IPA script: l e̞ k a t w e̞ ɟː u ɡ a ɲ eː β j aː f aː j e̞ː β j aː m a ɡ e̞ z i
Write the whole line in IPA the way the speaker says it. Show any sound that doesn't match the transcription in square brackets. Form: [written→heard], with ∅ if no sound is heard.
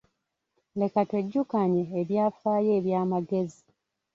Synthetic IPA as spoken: l e̞ k a t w e̞ ɟː u [ɡ→k] a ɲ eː β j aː f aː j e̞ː β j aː m a ɡ e̞ z i